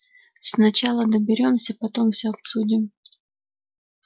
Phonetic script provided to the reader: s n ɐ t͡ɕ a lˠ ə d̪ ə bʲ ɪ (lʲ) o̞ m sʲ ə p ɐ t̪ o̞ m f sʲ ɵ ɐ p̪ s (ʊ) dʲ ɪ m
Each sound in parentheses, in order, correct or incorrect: incorrect: ɾʲ, incorrect: u

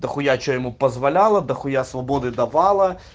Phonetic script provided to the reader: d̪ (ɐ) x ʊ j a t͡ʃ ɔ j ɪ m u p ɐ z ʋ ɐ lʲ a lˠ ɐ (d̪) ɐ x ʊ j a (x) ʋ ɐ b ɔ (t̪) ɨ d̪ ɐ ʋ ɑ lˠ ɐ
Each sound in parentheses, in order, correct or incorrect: correct, correct, incorrect: s, incorrect: d̪

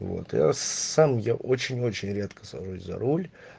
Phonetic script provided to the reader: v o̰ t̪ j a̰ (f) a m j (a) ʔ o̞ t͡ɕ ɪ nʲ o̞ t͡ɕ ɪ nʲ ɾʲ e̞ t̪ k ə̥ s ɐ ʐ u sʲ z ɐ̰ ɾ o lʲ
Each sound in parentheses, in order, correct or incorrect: incorrect: s, correct

